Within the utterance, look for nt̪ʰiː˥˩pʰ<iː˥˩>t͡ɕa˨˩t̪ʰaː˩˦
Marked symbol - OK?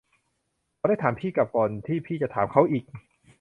yes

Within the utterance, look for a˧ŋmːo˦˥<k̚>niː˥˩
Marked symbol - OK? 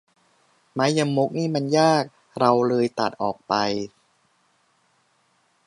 yes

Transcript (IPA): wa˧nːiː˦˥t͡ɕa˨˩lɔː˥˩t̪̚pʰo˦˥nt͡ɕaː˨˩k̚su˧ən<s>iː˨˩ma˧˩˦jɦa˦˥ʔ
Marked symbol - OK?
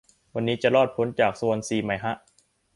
yes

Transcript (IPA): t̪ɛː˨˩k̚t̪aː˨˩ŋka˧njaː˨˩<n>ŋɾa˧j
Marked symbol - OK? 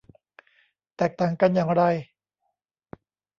no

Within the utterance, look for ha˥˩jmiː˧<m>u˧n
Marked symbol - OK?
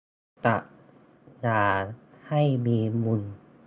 yes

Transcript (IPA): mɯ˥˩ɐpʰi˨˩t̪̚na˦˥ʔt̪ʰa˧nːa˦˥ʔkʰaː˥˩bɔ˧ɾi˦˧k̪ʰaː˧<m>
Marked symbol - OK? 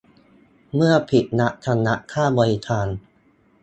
no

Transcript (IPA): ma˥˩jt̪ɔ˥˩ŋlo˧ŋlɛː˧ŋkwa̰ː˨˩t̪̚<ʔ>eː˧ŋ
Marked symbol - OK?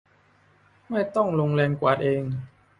yes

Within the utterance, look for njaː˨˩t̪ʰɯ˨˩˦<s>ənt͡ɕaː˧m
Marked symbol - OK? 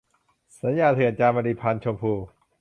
no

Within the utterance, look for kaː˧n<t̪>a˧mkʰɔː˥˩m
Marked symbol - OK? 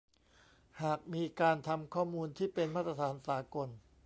no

